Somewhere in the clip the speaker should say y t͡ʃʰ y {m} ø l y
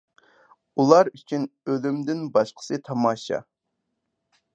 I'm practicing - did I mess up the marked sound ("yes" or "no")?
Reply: yes